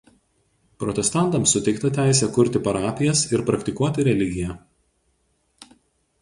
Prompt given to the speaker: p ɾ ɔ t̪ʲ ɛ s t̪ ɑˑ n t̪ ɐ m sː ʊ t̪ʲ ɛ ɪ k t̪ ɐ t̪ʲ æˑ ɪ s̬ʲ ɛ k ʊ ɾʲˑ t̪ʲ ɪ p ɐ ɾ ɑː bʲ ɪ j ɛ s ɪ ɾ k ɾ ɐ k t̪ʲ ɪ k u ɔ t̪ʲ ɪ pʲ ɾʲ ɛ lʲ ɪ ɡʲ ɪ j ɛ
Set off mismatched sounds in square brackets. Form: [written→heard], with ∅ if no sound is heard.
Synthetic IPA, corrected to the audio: p ɾ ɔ t̪ʲ ɛ s t̪ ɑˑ n t̪ ɐ m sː ʊ t̪ʲ ɛ ɪ k t̪ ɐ t̪ʲ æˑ ɪ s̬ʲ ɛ k ʊ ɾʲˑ t̪ʲ ɪ p ɐ ɾ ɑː [bʲ→pʲ] ɪ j ɛ s ɪ ɾ [k→p] ɾ ɐ k t̪ʲ ɪ k u ɔ t̪ʲ ɪ [pʲ→∅] ɾʲ ɛ lʲ ɪ ɡʲ ɪ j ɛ